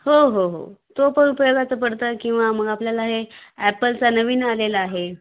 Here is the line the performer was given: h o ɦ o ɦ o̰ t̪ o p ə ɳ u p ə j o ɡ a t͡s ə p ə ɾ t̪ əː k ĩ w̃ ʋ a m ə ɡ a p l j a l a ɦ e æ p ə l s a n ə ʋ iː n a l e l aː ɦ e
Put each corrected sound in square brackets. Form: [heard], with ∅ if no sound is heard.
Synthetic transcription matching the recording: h o ɦ o ɦ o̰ t̪ o p ə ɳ u p ə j o ɡ a t͡s ə p ə [ɽ] t̪ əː k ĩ w̃ ʋ a m ə ɡ a p l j a l a ɦ e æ p ə l [t͡s] a n ə ʋ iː n a l e l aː ɦ e